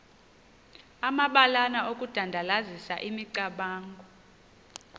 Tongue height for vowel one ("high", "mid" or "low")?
low